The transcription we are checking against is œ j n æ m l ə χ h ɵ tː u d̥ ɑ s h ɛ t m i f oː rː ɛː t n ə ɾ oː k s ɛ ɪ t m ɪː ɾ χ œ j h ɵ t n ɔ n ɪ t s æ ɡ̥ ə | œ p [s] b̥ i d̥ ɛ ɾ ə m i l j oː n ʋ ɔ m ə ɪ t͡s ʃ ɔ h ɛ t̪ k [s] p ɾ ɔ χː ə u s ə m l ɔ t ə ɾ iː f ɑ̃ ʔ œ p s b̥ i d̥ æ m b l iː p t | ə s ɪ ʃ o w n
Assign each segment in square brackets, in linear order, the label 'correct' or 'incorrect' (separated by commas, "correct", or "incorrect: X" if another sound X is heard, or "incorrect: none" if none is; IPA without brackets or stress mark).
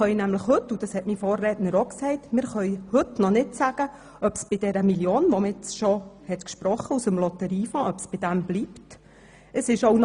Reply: correct, incorrect: ʃ